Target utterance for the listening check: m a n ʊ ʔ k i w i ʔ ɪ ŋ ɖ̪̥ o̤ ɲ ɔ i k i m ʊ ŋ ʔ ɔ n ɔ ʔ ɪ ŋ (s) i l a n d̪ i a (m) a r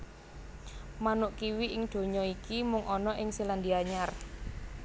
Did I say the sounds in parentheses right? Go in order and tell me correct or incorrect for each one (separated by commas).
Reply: correct, incorrect